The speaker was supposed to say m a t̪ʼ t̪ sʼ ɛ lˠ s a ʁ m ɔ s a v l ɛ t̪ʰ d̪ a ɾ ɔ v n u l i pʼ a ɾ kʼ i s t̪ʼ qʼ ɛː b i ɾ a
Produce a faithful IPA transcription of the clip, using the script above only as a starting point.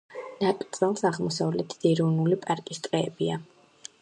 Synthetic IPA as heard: n a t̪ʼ t̪ sʼ ɛ lˠ s a ʁ m ɔ s a v l ɛ t̪ʰ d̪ ɛ ɾ ɔ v n u l i pʼ a ɾ kʼ i s t̪ʼ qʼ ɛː b i a